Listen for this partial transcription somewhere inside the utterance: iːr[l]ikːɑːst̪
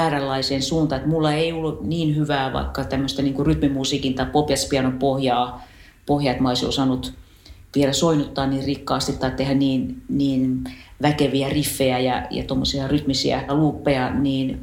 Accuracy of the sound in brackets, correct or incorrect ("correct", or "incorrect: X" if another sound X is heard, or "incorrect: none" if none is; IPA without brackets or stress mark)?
incorrect: r